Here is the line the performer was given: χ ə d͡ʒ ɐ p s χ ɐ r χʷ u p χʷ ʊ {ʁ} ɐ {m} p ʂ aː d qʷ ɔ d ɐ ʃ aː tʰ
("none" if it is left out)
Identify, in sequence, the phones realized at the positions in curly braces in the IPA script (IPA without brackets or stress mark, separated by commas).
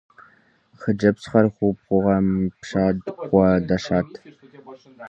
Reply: ʁ, m